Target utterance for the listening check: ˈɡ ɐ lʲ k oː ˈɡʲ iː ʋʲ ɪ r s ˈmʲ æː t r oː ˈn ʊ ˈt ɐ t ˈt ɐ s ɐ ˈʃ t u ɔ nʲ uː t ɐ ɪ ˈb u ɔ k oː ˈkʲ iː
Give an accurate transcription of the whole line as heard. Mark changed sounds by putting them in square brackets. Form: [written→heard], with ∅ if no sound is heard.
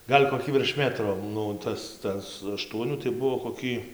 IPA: ˈɡ ɐ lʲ k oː [ˈɡʲ→ˈkʲ] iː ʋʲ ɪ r [s→ʃ] ˈmʲ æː t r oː ˈn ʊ ˈt ɐ [t→s] ˈt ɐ s ɐ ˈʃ t u ɔ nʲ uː t ɐ ɪ ˈb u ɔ k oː ˈkʲ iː